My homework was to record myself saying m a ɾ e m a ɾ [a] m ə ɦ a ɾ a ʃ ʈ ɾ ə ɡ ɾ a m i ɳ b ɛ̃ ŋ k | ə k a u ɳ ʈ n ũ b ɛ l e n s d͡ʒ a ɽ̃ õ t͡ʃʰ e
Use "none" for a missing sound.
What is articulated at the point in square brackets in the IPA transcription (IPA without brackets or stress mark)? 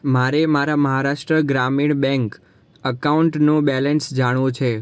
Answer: a